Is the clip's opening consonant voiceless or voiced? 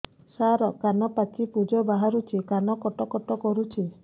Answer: voiceless